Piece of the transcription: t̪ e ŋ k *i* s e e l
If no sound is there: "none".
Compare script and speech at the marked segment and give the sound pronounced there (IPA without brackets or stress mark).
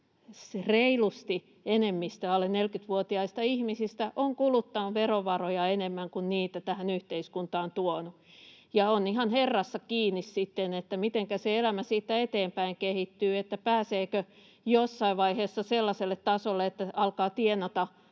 æ